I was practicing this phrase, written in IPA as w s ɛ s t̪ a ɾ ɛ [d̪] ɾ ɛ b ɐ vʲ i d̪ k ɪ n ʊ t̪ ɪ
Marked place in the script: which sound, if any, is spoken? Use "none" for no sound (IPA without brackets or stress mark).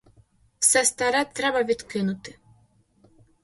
t̪